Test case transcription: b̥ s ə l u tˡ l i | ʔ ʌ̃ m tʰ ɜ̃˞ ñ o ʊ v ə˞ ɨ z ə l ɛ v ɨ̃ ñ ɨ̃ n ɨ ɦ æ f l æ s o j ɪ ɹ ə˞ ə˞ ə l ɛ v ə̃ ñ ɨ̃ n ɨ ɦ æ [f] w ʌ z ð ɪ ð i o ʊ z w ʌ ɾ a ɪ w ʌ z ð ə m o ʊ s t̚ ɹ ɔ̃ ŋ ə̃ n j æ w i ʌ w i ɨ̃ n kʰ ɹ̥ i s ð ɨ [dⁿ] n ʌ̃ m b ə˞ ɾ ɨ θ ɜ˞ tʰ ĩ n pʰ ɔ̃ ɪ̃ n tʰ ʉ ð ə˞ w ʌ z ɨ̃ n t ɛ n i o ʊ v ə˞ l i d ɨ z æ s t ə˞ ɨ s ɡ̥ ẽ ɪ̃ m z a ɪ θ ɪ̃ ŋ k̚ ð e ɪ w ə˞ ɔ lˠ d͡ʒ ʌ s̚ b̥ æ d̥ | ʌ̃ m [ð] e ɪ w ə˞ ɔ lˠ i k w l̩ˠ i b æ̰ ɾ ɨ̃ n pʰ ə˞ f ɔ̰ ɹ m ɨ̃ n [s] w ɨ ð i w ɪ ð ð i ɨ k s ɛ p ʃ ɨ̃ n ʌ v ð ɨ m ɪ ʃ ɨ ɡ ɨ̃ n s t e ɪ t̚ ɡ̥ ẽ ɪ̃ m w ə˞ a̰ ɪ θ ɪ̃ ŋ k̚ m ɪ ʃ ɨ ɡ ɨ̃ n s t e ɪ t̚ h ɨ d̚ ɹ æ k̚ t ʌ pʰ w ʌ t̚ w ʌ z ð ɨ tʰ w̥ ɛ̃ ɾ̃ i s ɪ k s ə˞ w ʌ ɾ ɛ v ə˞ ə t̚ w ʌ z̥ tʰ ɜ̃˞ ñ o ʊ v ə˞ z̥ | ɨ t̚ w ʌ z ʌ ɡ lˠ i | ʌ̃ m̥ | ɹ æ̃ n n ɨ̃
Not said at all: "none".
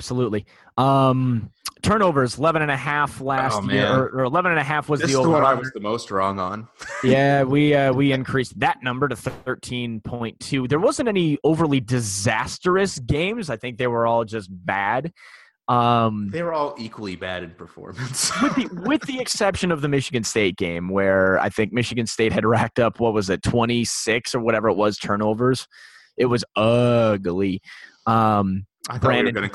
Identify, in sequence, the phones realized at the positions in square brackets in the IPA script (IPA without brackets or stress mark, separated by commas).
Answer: f, tⁿ, ð, s